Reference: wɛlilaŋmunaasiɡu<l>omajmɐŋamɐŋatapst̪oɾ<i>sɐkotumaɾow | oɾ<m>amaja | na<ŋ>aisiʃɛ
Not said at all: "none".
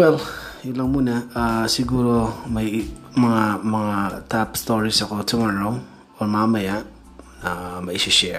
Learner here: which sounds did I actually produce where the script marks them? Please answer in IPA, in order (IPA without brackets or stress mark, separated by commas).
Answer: ɾ, i, m, m